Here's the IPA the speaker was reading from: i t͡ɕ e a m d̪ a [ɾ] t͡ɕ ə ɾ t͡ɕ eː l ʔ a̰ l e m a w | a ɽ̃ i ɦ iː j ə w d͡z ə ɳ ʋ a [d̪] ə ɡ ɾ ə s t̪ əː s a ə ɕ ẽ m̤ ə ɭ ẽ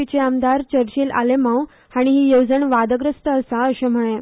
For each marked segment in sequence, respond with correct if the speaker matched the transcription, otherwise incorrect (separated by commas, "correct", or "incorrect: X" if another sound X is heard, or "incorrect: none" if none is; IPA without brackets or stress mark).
correct, correct